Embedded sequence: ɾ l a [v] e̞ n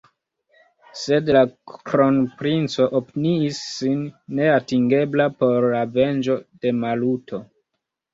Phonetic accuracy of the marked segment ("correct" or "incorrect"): correct